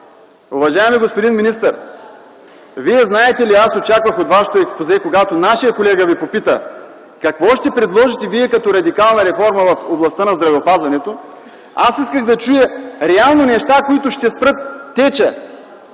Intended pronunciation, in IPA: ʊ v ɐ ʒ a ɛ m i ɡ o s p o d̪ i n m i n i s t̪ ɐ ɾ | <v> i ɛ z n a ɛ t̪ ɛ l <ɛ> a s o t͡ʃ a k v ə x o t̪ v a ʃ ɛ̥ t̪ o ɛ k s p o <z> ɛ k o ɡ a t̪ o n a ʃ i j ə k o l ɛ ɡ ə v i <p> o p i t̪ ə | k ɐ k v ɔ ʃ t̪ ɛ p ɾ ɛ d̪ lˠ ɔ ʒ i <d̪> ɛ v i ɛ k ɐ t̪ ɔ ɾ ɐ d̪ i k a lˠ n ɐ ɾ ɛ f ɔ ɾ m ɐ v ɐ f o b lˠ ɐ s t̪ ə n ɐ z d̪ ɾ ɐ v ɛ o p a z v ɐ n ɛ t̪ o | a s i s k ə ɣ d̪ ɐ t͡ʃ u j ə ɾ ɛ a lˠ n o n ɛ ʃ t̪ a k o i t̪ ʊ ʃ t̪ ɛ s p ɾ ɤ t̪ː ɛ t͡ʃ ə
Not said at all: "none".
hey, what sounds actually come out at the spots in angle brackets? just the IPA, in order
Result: v, i, z, p, t̪

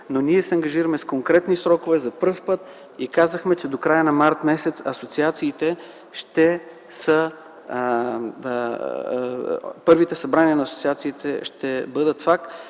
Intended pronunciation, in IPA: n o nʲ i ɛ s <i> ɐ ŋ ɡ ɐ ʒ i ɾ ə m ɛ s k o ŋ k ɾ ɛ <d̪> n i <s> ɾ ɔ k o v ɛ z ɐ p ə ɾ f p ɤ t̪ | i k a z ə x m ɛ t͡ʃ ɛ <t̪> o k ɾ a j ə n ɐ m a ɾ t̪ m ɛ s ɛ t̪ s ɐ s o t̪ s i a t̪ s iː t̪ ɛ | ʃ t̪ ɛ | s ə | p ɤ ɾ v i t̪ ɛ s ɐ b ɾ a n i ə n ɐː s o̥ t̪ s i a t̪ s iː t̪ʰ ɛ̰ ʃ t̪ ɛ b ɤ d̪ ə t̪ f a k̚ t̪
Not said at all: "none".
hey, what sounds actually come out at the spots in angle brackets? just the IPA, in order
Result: ɛ, t̪, s, d̪

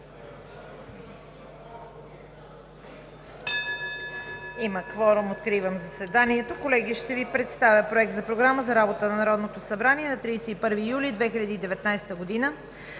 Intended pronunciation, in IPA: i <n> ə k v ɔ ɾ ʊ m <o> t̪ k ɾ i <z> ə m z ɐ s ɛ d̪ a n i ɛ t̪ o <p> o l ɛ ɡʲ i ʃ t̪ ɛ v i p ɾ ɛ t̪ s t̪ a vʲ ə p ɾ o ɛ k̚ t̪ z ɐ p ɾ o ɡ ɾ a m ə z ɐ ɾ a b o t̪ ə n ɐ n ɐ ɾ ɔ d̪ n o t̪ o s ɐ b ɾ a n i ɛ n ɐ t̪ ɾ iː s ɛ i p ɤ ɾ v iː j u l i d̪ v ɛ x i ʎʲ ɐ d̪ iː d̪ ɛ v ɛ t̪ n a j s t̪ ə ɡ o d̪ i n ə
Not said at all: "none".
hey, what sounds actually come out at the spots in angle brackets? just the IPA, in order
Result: m, o, v, k

